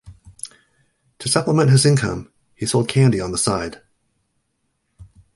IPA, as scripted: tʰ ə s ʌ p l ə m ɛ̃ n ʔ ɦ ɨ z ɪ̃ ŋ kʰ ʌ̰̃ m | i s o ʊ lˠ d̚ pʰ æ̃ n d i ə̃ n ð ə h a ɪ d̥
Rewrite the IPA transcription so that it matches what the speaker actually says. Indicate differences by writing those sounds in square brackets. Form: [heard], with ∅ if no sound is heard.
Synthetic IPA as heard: tʰ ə s ʌ p l ə m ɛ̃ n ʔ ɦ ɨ z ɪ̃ [n] kʰ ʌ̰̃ m | i s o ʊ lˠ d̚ [kʰ] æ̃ n d i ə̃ n ð ə [s] a ɪ d̥